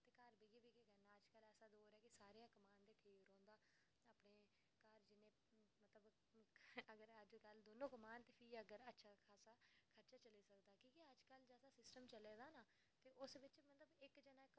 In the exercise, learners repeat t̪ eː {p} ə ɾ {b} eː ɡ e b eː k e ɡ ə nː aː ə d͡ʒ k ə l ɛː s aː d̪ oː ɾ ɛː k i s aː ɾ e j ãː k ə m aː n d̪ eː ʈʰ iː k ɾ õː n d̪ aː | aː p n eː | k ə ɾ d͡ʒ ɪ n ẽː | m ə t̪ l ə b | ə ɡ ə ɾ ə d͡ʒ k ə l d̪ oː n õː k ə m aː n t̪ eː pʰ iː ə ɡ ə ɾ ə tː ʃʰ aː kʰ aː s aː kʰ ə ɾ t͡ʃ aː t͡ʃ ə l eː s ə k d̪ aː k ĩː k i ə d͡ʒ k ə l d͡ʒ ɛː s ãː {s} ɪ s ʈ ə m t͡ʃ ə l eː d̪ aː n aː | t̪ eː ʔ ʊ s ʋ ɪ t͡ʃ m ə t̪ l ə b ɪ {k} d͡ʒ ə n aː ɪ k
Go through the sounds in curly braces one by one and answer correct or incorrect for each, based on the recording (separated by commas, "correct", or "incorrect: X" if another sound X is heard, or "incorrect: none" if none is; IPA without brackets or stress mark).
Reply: incorrect: k, correct, correct, correct